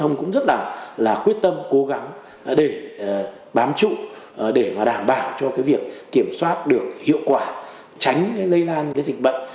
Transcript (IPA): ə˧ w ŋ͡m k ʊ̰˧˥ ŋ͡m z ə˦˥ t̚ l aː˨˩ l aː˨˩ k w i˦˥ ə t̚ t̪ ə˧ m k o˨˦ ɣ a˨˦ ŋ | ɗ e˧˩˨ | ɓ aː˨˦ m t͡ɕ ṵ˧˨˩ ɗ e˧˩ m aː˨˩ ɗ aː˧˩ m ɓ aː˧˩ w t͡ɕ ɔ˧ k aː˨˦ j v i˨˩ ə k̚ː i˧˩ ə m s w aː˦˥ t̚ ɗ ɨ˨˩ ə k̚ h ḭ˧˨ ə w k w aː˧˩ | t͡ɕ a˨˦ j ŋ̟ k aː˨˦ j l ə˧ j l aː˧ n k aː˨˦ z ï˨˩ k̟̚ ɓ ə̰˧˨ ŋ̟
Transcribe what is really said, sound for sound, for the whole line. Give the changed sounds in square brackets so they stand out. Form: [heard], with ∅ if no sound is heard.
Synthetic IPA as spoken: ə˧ w ŋ͡m k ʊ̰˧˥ ŋ͡m z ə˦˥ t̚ l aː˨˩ l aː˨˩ k w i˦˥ ə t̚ t̪ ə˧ m k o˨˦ ɣ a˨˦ ŋ | ɗ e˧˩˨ | ɓ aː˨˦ m t͡ɕ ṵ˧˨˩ ɗ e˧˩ m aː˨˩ ɗ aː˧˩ m ɓ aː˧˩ w t͡ɕ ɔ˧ k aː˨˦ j v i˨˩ ə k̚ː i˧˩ ə m s w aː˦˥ t̚ ɗ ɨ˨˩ ə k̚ h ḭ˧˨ ə w k w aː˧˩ | t͡ɕ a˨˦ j ŋ̟ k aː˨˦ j l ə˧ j l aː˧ n k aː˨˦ z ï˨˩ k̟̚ ɓ ə̰˧˨ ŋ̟